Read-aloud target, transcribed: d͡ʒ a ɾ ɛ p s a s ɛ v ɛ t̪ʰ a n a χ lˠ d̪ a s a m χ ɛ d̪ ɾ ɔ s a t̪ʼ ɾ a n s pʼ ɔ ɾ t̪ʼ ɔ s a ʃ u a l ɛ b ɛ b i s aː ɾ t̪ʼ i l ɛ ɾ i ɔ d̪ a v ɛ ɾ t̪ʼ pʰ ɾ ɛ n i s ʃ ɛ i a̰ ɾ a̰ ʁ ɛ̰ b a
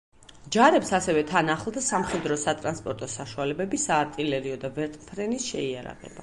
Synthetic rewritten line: d͡ʒ a ɾ ɛ p s a s ɛ v ɛ t̪ʰ a n a χ lˠ d̪ a s a m χ ɛ d̪ ɾ ɔ s a t̪ʼ ɾ a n s pʼ ɔ ɾ t̪ʼ ɔ s a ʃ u a l ɛ b ɛ b i s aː ɾ t̪ʼ i l ɛ ɾ i ɔ d̪ a v ɛ ɾ t̪ʼ pʰ ɾ ɛ n i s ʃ ɛ i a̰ ɾ a̰ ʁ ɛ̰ b a